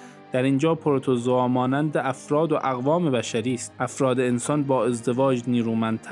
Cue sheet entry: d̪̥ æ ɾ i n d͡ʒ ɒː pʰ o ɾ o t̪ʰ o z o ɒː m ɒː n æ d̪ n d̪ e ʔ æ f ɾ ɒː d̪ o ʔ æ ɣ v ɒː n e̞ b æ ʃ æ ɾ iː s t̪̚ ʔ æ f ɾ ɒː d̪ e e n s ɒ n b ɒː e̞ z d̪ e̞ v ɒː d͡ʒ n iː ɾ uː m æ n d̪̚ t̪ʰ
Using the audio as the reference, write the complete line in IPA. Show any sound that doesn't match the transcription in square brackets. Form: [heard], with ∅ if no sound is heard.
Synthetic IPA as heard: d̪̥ æ ɾ i n d͡ʒ ɒː pʰ o ɾ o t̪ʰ o z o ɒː m ɒː n æ [∅] n d̪ e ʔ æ f ɾ ɒː d̪ o ʔ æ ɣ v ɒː [m] e̞ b æ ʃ æ ɾ iː s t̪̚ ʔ æ f ɾ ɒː d̪ e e n s ɒ n b ɒː e̞ z d̪ e̞ v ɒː d͡ʒ n iː ɾ uː m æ n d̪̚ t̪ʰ